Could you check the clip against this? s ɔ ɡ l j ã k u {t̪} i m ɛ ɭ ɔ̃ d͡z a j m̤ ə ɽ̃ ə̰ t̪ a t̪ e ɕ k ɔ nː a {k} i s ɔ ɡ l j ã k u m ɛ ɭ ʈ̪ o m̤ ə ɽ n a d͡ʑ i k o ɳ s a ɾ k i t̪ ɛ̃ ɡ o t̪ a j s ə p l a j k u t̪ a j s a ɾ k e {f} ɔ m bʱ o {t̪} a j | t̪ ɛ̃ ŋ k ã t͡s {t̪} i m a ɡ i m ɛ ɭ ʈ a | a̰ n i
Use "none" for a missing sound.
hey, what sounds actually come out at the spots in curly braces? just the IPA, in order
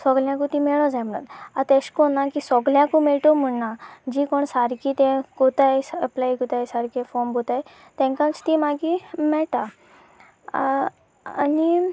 t̪, k, f, t̪, t̪

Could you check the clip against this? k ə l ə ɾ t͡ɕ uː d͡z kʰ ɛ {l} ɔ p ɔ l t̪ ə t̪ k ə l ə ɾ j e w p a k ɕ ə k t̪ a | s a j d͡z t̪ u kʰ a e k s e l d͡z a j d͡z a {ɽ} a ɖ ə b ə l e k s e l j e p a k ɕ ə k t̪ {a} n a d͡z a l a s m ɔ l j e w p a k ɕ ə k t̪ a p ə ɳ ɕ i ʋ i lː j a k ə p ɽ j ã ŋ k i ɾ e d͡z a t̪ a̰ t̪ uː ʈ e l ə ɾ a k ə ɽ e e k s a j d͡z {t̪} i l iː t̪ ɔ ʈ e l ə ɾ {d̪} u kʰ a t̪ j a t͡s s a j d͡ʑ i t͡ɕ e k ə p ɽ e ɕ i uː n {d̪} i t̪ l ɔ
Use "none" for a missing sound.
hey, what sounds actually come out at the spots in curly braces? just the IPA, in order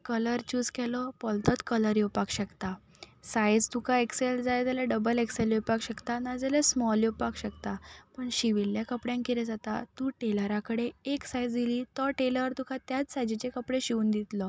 l, l, a, d̪, t̪, d̪

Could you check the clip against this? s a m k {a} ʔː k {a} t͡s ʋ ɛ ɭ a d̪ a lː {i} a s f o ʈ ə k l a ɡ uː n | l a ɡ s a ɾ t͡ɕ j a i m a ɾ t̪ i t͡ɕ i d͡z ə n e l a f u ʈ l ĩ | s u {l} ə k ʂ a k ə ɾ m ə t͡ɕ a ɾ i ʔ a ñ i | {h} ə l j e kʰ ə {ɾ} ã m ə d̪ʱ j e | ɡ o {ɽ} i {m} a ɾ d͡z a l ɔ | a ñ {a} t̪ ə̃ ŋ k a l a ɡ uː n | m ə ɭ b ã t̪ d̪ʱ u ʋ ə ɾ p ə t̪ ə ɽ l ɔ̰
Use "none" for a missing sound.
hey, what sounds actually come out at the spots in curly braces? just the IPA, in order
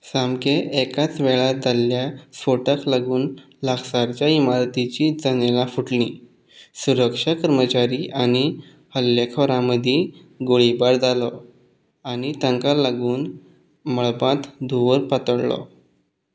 e, a, j, ɾ, h, ɾ, ɭ, b, i

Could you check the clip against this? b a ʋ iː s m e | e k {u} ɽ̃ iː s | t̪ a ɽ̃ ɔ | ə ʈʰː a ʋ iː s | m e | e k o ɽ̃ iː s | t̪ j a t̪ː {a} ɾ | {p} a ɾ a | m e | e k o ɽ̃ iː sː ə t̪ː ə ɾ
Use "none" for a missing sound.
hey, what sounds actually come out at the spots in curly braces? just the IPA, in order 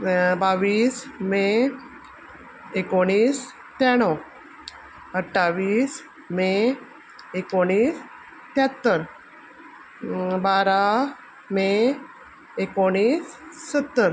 o, ə, b

